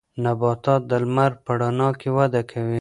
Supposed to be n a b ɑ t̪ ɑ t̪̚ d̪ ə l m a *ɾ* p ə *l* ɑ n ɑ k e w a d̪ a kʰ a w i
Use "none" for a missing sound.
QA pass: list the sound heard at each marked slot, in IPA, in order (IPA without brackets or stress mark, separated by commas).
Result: ɾ, ɽ